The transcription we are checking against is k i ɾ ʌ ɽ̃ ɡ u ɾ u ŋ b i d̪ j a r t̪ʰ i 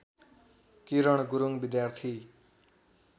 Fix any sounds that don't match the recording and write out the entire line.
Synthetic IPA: k i ɾ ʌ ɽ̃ ɡ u ɾ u ŋ b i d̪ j a r t̪ʰ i